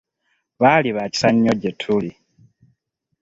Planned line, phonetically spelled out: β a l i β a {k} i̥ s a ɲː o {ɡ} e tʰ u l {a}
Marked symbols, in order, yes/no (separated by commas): no, no, no